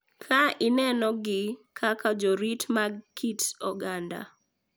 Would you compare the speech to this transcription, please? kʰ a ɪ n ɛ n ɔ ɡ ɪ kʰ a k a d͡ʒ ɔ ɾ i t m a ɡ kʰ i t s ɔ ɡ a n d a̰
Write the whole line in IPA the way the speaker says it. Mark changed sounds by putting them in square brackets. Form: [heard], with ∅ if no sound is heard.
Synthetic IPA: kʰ a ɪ n ɛ n ɔ ɡ ɪ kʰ a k a d͡ʒ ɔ ɾ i t m a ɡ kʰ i t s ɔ ɡ a n d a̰